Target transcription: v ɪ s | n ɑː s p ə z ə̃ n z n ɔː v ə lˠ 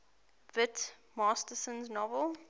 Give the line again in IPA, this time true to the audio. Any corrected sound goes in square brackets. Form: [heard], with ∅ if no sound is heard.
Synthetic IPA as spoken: v ɪ [t] | [m] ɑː s [t] ə [s] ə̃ n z n [ɔ] v ə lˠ